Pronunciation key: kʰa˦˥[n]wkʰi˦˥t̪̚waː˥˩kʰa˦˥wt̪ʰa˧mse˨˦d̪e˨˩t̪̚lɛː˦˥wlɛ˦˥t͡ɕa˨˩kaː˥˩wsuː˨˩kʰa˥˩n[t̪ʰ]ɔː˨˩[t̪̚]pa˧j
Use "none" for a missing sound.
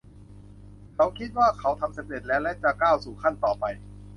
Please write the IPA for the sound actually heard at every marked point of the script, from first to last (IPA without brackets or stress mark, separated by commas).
none, t̪, none